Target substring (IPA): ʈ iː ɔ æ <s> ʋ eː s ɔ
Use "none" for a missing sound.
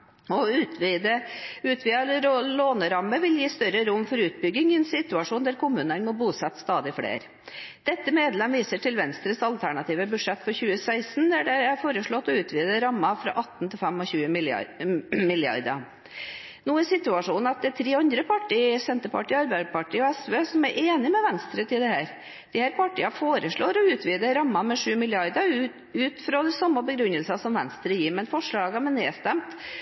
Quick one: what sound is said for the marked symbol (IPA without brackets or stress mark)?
s